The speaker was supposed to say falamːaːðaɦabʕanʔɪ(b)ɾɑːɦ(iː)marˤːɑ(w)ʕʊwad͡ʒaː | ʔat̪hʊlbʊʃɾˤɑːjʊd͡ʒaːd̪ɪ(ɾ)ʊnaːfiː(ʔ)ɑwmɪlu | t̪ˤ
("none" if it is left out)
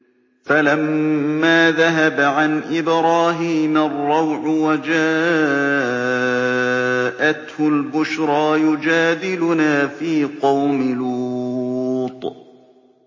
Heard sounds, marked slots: b, iː, w, l, q

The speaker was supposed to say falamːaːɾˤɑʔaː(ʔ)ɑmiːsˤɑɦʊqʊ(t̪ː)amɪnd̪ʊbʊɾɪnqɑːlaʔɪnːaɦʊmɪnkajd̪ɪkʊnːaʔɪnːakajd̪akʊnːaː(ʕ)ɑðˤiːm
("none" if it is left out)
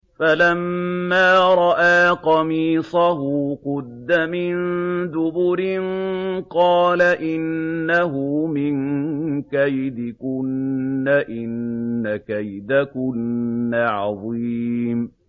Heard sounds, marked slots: q, d̪ː, ʕ

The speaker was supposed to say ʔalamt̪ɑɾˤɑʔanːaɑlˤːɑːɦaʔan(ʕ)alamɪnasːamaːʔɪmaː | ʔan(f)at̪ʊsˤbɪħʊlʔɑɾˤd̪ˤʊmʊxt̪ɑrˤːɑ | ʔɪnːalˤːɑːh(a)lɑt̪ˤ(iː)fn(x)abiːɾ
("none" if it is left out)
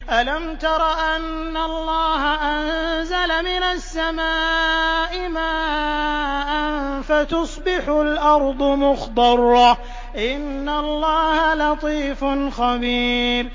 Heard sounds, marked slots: z, f, a, iː, x

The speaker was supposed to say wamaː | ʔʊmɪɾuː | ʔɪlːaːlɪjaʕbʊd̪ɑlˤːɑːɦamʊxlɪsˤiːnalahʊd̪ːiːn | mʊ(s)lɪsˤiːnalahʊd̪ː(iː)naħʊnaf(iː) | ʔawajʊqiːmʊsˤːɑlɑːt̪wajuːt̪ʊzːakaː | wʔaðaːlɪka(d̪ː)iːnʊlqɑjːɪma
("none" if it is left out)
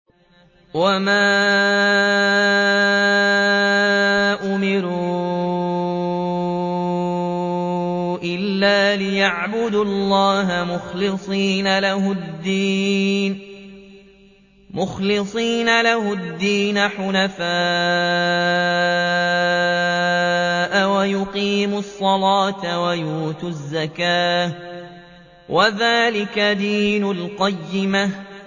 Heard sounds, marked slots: x, iː, aː, d̪

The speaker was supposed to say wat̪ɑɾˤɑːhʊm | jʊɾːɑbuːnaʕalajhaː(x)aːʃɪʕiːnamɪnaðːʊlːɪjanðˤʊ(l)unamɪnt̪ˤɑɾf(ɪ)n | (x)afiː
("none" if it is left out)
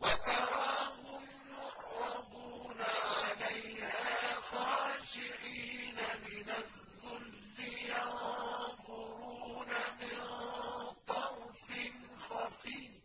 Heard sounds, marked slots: x, ɾ, ɪ, x

